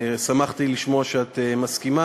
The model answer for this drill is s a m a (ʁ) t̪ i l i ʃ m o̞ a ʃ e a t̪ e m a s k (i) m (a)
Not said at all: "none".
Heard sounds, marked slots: χ, i, a

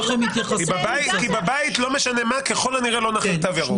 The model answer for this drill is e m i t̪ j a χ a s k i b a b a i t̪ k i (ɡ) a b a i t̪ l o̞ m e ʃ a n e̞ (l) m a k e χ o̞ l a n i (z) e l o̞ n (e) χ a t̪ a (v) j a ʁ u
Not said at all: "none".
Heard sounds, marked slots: b, none, ʁ, a, v

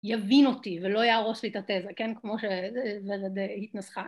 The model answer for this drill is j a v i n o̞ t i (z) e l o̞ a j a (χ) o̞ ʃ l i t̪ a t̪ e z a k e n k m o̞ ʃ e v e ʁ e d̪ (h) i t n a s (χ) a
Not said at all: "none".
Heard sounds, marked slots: v, ʁ, h, χ

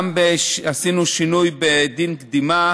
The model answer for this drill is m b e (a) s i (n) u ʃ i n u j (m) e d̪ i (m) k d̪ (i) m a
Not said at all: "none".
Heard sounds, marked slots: a, n, b, n, i

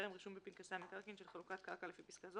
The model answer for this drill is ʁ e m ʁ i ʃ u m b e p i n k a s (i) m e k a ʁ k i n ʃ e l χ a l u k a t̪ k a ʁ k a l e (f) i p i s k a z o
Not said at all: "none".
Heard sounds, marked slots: a, f

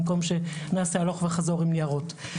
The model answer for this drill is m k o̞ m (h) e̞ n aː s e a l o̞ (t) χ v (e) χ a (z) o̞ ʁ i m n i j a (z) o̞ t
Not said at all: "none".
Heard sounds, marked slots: ʃ, none, e, z, ʁ

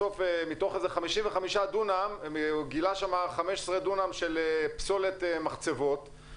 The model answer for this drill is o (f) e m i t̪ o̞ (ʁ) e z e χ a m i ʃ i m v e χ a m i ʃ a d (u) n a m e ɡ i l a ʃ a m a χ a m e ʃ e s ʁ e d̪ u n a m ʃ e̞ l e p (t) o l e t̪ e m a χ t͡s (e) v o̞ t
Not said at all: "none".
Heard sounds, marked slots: f, χ, u, s, e

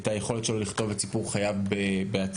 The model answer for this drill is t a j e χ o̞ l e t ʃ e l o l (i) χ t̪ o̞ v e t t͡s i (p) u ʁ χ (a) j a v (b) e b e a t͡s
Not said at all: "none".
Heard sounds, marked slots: i, p, a, b

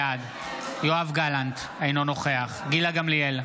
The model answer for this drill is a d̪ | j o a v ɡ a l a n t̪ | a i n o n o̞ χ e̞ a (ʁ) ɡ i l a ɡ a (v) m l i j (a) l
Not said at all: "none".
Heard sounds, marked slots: χ, none, e

